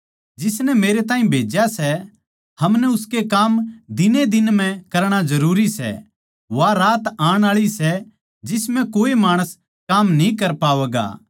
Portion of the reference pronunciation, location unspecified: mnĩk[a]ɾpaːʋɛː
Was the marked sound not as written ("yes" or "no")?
yes